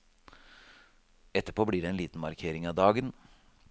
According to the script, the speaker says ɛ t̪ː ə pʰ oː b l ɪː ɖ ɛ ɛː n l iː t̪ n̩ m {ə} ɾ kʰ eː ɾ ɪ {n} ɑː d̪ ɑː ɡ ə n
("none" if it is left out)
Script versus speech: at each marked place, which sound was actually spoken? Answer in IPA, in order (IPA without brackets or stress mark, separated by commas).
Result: ɑ, ŋ